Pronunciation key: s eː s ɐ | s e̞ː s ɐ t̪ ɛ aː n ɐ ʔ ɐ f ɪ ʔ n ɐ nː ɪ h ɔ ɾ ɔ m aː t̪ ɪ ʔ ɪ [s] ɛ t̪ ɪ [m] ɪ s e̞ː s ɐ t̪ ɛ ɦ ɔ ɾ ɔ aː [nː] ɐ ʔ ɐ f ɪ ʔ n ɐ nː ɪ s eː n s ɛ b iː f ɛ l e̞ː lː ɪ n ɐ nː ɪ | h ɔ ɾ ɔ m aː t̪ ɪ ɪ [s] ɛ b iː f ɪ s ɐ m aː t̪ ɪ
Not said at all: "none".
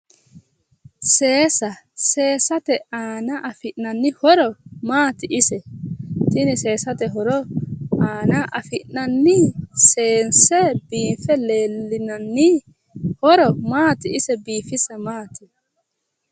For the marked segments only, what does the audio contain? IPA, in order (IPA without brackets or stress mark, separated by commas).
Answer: s, n, n, s